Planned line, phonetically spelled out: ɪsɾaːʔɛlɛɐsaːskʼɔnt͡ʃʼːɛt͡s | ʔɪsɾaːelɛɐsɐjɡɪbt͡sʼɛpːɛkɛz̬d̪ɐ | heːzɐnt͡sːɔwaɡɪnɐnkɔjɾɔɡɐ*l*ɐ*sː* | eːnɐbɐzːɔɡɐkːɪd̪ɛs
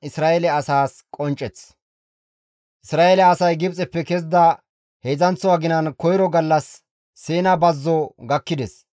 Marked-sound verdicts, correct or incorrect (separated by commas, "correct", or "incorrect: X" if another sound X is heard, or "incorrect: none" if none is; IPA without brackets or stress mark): incorrect: lː, correct